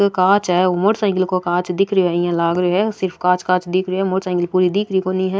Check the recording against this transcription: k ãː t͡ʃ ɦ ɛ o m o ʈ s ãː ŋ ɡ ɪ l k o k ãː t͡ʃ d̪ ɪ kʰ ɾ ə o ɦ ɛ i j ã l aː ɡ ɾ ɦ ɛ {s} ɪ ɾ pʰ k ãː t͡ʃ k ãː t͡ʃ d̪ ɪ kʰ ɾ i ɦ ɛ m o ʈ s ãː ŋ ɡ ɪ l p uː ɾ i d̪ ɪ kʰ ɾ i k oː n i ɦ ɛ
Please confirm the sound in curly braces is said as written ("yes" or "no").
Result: yes